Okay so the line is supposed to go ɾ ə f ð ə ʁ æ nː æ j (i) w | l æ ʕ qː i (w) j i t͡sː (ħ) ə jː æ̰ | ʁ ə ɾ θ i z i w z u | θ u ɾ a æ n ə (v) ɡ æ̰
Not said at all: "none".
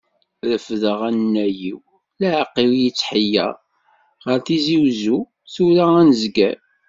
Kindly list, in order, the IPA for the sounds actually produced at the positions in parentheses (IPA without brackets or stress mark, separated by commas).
i, w, ħ, z